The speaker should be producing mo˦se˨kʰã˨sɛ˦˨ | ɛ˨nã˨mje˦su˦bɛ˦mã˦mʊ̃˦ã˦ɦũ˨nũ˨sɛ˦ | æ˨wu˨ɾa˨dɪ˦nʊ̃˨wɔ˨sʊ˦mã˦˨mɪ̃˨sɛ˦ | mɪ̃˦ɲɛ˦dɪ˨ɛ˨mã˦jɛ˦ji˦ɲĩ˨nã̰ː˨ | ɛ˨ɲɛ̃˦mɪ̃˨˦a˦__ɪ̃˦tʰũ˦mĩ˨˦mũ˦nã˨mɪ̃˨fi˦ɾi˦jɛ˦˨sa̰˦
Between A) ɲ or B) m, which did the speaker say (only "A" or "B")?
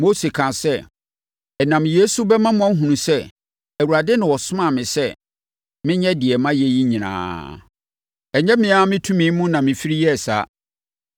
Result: B